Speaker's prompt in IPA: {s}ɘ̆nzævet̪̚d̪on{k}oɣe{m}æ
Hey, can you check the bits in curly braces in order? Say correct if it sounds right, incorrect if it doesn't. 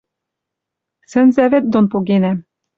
correct, incorrect: p, incorrect: n

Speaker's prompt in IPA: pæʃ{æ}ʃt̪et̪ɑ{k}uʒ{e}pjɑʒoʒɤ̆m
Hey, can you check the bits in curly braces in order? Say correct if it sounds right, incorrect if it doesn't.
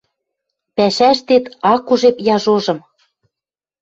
correct, correct, correct

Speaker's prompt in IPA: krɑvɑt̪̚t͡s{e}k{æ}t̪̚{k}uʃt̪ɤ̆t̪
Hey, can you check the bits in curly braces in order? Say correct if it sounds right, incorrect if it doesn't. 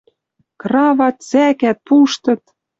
incorrect: æ, correct, incorrect: p

